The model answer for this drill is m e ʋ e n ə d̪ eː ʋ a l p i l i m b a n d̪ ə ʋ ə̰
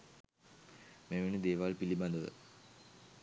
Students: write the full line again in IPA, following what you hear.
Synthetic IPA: m e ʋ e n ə d̪ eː ʋ a l p i l i b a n d̪ ə ʋ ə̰